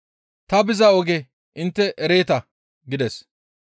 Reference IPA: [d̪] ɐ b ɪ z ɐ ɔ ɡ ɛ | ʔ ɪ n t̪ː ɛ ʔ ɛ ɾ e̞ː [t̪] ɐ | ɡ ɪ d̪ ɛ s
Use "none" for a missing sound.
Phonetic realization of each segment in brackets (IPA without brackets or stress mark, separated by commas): t̪, t̪